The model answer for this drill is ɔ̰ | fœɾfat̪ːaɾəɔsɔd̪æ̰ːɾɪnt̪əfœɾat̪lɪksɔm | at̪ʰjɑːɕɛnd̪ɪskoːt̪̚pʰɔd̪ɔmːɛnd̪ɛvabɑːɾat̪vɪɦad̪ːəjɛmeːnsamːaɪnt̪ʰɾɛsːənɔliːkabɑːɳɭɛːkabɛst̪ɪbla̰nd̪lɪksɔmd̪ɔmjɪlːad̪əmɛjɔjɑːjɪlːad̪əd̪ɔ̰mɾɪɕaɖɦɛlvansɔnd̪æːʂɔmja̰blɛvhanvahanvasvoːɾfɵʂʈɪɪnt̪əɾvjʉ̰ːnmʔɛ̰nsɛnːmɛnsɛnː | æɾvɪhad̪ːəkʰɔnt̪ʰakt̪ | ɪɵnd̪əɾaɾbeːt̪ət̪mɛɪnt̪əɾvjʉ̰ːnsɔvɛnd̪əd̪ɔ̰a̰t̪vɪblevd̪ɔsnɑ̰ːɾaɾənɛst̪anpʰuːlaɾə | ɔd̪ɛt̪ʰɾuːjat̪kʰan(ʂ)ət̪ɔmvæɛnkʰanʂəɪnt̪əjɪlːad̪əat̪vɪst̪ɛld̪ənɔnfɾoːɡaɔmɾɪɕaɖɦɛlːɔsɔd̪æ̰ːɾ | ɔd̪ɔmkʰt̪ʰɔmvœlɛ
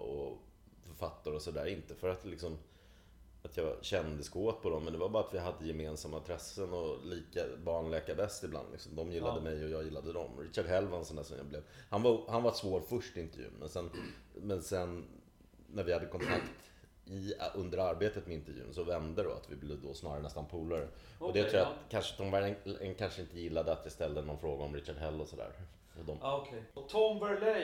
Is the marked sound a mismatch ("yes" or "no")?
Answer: no